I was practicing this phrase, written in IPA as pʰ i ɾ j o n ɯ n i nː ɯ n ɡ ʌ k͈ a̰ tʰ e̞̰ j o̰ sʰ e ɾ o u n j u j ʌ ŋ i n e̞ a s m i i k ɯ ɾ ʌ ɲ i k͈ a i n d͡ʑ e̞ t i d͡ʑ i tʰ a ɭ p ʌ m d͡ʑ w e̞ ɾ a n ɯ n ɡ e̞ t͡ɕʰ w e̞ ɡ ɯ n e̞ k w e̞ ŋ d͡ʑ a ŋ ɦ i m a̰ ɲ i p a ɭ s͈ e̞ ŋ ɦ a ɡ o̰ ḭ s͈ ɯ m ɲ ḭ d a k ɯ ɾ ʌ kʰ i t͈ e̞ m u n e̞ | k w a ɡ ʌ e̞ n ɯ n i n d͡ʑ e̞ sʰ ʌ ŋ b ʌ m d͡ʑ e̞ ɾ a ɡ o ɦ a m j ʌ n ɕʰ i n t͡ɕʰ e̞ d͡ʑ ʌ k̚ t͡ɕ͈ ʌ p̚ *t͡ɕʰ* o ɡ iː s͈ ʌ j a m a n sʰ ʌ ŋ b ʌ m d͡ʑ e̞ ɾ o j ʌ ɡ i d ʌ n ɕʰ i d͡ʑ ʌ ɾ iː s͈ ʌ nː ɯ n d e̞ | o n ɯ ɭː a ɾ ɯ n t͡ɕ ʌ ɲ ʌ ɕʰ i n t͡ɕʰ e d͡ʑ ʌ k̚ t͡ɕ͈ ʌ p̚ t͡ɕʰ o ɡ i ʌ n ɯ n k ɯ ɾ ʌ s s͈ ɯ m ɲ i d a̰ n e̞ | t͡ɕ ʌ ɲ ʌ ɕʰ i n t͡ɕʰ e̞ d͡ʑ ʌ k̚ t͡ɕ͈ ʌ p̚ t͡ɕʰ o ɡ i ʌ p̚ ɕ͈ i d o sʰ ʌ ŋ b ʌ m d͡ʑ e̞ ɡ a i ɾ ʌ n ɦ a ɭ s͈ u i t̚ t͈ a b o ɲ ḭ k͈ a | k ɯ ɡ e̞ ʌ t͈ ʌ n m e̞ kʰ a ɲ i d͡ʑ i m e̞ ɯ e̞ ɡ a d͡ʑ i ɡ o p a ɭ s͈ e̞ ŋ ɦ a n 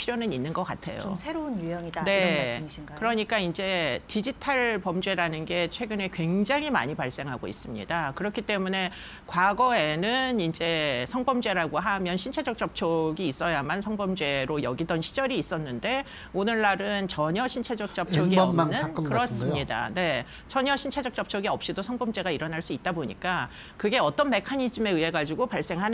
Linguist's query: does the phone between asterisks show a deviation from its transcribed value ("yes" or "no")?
no